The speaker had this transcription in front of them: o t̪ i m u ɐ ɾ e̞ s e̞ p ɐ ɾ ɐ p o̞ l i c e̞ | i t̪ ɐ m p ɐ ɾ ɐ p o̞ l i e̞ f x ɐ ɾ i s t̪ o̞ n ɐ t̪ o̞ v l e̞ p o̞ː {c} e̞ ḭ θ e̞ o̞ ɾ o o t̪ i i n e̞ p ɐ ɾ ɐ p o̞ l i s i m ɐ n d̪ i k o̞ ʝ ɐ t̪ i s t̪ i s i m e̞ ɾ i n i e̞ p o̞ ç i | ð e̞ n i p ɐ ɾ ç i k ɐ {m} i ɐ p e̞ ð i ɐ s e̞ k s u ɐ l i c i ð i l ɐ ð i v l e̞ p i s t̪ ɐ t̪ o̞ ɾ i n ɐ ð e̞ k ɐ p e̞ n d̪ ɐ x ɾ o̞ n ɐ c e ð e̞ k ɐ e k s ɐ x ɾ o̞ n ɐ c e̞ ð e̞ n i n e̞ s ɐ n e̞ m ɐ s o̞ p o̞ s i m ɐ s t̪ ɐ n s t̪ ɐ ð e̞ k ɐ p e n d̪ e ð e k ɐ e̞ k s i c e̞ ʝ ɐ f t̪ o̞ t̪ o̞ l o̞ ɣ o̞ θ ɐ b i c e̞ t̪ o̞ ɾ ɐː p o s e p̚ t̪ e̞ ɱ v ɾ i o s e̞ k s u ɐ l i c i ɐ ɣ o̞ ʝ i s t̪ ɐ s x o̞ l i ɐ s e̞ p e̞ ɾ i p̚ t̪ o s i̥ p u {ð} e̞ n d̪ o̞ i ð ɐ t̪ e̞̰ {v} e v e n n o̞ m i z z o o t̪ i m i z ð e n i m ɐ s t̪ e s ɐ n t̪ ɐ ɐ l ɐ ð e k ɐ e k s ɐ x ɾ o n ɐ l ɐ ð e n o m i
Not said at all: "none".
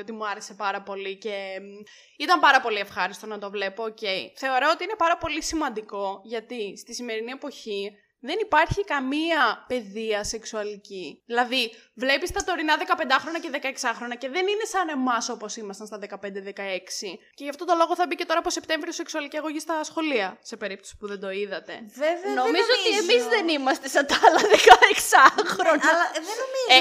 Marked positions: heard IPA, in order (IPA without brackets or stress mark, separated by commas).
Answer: c, m, ð, v